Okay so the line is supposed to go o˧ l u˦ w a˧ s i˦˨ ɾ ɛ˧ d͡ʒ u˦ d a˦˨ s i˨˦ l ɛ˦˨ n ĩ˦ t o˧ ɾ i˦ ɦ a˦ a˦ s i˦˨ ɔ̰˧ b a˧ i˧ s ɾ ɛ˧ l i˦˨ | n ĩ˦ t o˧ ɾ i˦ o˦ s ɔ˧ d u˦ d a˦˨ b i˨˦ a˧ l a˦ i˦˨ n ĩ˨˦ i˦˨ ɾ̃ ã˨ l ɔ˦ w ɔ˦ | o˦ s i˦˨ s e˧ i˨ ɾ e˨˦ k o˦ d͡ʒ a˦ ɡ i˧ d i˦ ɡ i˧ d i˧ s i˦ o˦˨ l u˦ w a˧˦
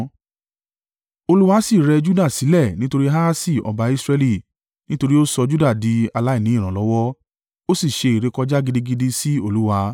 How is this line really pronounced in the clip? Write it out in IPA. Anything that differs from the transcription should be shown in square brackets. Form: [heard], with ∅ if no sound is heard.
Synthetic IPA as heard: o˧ l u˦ w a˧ s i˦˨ ɾ ɛ˧ d͡ʒ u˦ d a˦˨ s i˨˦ l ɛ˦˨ n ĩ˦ t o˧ ɾ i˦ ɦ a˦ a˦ s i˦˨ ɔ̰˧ b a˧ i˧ s ɾ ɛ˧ l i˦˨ | n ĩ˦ t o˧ ɾ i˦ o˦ s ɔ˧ [d͡ʒ] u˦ d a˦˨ [d] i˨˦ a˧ l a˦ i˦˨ n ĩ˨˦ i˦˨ ɾ̃ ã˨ l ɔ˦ w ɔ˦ | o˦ s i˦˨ [ʃ] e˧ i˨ ɾ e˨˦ k [ɔ˦] d͡ʒ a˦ ɡ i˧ d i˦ ɡ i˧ d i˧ s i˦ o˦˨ l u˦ w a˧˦